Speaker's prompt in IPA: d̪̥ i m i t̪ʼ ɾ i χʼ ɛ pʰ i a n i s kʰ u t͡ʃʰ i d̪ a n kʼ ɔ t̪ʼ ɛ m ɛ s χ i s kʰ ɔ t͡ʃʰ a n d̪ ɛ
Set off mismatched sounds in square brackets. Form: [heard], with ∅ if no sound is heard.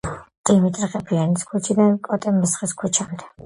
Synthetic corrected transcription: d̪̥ i m i t̪ʼ ɾ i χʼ ɛ pʰ i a n i s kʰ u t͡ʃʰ i d̪ a n kʼ ɔ t̪ʼ ɛ m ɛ s χ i s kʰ [u] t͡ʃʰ a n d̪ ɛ